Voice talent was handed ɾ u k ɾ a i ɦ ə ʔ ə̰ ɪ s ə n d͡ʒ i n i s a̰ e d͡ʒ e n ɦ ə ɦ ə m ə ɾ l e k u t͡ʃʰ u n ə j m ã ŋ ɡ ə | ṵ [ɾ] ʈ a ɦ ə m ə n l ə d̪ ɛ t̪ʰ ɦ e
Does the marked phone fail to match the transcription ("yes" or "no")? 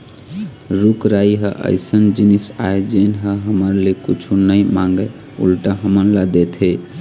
yes